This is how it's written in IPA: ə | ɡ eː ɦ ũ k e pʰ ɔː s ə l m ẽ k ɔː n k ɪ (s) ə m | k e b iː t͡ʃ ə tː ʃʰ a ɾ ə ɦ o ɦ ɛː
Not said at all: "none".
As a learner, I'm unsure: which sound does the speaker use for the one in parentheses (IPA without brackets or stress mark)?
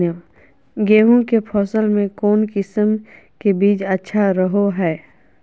s